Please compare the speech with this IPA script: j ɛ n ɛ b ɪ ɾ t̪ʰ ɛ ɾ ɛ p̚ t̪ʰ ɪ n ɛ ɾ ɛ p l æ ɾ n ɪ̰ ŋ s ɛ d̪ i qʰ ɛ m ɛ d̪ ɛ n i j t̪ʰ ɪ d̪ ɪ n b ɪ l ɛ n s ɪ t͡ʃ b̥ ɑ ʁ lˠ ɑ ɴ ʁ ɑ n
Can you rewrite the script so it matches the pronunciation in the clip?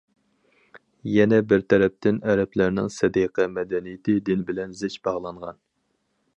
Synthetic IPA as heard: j ɛ n ɛ b ɪ ɾ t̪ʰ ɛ ɾ ɛ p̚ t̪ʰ ɪ n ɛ ɾ ɛ p l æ ɾ n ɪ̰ ŋ s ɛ d̪ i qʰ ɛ m ɛ d̪ ɛ n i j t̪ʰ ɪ d̪ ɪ n b ɪ l ɛ n z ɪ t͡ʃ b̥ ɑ ʁ lˠ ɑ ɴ ʁ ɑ n